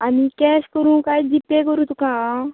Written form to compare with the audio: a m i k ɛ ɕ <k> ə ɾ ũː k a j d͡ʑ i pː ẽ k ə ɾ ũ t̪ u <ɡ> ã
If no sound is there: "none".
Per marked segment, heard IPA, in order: k, k

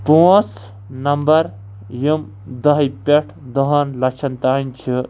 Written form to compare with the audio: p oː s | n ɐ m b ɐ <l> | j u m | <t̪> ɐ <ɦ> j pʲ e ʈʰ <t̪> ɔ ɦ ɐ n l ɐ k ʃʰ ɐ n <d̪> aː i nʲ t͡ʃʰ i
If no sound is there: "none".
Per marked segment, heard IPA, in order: ɾ, d̪, ɦ, d̪, t̪

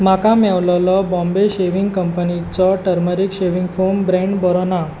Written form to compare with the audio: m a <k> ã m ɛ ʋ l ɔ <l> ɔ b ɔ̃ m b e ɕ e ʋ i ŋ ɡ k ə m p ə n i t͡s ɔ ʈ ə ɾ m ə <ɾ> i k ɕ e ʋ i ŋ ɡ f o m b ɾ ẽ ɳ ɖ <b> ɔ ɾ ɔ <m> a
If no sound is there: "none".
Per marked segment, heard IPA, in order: k, l, ɾ, b, n

